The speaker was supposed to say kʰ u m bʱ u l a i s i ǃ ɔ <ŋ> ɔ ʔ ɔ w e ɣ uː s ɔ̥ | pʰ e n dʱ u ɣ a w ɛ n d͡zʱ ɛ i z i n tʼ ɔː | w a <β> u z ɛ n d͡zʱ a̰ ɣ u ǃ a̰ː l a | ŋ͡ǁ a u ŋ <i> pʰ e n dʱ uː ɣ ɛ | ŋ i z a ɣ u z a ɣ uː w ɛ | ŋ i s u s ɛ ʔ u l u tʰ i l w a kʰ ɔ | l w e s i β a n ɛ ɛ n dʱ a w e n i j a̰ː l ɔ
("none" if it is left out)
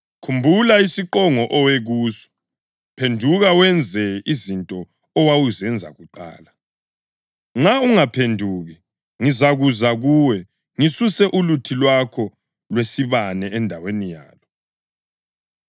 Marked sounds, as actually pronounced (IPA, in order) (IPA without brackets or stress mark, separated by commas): ŋ, w, a